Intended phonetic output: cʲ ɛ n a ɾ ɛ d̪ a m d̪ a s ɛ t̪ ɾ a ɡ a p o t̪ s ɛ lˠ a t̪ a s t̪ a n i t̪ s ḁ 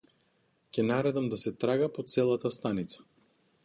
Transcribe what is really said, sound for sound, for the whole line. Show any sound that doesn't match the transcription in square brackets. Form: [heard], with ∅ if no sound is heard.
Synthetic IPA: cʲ ɛ n a ɾ ɛ d̪ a m d̪ a s ɛ t̪ ɾ a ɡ a p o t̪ s ɛ lˠ a t̪ a s t̪ a n i t̪ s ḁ